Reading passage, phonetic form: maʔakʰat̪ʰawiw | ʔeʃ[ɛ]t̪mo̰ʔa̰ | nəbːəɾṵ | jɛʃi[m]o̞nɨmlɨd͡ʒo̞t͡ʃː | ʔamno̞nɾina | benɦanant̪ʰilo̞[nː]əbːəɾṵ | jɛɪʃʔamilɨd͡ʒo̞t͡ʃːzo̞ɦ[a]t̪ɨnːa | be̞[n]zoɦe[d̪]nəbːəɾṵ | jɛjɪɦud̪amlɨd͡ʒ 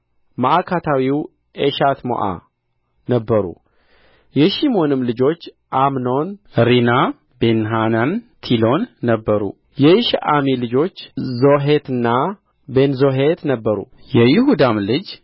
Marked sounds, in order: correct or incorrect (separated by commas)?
incorrect, correct, correct, incorrect, correct, incorrect